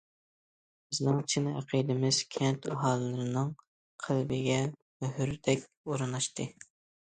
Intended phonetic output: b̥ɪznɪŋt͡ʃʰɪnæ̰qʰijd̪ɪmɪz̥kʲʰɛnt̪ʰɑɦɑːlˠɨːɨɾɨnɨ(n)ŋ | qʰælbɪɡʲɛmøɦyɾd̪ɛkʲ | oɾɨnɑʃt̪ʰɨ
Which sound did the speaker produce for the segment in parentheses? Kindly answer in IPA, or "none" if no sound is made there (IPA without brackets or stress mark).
none